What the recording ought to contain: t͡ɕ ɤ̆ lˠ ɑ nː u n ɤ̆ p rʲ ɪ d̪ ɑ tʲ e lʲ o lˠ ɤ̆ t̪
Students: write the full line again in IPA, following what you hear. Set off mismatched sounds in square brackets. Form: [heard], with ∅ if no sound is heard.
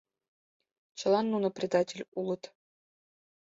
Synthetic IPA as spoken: t͡ɕ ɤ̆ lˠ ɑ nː u n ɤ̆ p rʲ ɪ d̪ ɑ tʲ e lʲ [u] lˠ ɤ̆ t̪